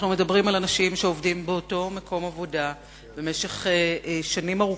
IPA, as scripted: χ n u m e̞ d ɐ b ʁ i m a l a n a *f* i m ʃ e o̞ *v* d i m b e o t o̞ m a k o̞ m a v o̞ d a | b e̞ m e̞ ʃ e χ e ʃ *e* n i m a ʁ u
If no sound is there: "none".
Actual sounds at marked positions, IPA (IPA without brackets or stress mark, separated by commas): ʃ, v, a